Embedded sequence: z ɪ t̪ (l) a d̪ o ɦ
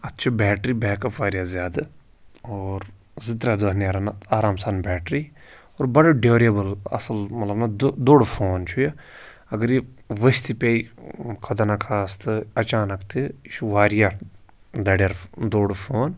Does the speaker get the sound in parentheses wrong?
yes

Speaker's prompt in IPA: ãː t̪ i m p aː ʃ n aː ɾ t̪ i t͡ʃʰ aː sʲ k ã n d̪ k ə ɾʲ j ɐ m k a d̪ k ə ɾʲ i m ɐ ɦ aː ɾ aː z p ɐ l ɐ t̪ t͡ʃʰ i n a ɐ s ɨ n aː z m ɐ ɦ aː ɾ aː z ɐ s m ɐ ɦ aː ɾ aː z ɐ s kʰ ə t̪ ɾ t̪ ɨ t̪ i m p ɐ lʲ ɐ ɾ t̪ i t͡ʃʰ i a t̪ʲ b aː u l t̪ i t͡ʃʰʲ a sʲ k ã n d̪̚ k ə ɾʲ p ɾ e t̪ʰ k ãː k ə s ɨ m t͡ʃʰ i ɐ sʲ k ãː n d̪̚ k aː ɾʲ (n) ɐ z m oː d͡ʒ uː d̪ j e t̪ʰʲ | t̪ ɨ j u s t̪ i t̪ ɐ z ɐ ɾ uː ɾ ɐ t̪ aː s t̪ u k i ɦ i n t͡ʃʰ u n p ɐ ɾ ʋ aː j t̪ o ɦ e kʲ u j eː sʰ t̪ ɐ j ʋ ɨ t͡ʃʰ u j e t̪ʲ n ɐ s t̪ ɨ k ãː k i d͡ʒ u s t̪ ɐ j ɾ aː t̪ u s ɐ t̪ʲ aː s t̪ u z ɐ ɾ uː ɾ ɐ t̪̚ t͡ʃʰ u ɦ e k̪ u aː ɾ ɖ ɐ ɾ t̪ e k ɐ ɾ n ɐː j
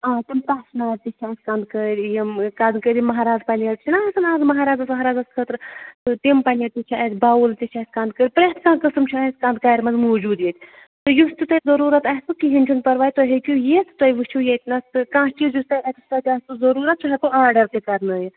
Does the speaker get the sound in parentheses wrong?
yes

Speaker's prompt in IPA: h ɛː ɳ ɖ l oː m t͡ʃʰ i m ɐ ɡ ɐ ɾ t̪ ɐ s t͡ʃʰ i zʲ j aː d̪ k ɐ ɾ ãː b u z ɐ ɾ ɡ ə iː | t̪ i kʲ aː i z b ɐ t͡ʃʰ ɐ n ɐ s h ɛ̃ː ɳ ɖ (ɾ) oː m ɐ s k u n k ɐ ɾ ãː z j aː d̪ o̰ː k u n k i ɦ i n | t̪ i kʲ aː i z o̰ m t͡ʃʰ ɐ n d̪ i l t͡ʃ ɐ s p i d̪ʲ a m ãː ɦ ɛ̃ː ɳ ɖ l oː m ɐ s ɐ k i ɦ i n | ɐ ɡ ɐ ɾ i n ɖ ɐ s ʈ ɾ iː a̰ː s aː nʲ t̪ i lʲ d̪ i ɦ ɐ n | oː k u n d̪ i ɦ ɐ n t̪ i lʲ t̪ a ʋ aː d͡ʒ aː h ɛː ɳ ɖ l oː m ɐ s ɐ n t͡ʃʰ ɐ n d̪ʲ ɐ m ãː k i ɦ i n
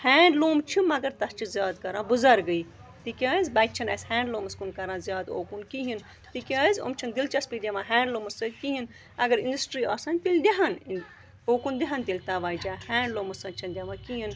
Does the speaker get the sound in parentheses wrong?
yes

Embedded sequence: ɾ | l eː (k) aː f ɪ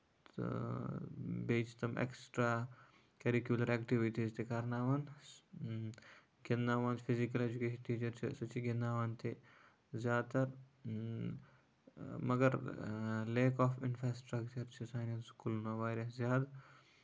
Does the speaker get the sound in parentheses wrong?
no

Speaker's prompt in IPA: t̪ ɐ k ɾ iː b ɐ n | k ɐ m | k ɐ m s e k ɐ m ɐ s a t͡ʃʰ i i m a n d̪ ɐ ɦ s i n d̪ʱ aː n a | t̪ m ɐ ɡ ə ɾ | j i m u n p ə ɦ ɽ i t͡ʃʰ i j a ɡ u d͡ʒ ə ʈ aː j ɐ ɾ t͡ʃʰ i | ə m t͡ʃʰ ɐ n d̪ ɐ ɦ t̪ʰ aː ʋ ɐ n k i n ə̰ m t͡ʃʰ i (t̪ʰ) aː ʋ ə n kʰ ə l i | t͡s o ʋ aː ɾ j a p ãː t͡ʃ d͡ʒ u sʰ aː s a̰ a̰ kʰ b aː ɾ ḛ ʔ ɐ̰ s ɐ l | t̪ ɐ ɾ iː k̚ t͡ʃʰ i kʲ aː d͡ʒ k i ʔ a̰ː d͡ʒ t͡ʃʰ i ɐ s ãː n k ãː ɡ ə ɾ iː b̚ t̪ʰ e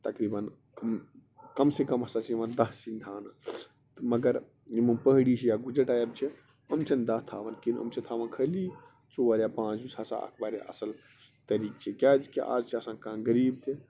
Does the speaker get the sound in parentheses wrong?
no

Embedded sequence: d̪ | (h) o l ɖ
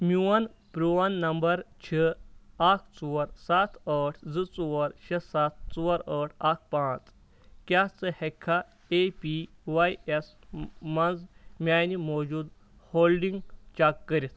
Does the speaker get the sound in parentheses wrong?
no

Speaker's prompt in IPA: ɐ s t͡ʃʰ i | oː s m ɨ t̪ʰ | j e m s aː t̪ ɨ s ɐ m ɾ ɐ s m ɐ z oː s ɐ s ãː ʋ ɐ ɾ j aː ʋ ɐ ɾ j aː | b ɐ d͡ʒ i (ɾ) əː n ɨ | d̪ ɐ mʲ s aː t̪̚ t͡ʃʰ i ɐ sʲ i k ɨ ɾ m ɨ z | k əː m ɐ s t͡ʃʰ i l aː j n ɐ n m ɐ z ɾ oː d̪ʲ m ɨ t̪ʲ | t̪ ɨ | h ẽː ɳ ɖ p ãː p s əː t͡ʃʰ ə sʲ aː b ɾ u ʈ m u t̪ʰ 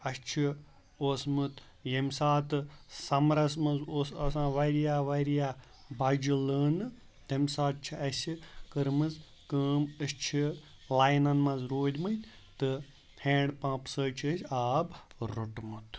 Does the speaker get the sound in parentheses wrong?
yes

